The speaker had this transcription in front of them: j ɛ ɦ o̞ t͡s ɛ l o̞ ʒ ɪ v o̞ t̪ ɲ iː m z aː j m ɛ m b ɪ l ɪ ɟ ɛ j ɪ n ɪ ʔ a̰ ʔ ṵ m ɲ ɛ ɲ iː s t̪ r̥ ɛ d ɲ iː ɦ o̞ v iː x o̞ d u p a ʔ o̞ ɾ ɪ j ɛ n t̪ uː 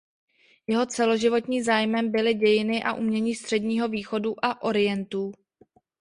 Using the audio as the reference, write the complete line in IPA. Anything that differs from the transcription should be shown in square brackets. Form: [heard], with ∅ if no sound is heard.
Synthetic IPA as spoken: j ɛ ɦ o̞ t͡s ɛ l o̞ ʒ ɪ v o̞ t̪ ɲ iː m z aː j m ɛ m b ɪ l ɪ ɟ ɛ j ɪ n ɪ ʔ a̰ ʔ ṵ m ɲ ɛ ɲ iː s t̪ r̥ ɛ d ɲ iː ɦ o̞ v iː x o̞ d u [ʔ] a ʔ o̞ ɾ ɪ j ɛ n t̪ uː